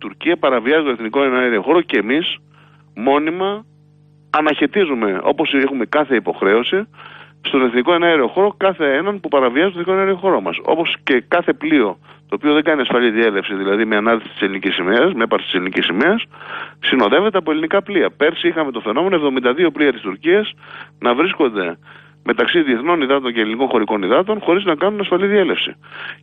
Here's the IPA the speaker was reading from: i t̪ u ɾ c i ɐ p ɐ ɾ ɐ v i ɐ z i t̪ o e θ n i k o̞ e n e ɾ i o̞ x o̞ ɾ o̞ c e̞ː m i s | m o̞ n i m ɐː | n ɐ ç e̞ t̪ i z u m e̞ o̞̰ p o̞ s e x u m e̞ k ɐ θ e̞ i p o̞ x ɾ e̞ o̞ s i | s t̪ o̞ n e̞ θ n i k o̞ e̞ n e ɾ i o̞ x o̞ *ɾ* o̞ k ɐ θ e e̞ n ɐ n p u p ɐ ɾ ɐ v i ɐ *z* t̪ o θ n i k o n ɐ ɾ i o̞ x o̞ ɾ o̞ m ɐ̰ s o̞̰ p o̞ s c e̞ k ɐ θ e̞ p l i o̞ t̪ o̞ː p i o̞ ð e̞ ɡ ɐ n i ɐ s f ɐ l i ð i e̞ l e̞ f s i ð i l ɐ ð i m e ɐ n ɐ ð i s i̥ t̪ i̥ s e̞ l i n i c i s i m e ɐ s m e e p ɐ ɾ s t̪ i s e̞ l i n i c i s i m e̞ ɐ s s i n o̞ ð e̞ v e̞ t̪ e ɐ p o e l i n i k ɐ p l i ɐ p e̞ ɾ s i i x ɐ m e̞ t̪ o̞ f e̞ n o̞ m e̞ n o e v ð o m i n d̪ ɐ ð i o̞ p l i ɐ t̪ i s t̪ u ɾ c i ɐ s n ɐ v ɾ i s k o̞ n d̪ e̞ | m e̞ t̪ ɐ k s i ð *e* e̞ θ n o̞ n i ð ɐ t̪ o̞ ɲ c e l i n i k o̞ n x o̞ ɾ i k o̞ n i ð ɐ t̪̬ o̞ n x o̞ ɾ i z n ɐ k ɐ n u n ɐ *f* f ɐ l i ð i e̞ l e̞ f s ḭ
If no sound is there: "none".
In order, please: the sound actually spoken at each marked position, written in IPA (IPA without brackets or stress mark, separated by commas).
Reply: ɾ, z, i, s